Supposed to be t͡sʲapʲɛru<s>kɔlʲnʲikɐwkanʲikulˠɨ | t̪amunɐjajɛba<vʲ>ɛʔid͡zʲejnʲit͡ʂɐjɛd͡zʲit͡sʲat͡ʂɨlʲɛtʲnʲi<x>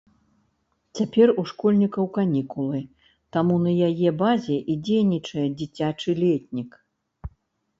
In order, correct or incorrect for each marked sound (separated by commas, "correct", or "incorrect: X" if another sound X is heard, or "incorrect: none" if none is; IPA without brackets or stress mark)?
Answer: incorrect: ʂ, incorrect: zʲ, incorrect: k